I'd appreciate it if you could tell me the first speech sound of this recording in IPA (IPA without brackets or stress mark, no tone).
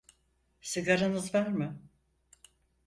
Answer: s